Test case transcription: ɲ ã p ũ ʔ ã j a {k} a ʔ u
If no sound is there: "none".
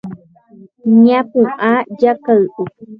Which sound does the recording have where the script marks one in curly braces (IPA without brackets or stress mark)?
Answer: k